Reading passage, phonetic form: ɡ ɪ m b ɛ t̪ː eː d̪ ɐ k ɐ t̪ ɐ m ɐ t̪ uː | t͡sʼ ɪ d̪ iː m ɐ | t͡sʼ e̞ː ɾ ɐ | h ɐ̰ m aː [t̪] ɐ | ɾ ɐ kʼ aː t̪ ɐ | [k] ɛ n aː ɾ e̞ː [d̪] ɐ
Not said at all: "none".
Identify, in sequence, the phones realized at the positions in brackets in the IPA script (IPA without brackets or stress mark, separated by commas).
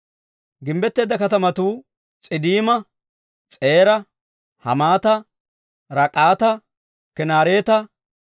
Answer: t̪, k, t̪